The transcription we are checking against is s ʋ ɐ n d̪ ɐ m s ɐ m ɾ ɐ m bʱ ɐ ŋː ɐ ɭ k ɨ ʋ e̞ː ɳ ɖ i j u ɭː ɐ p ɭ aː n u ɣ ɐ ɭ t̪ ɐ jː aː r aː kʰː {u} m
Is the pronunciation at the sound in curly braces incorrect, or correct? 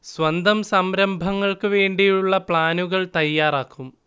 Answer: correct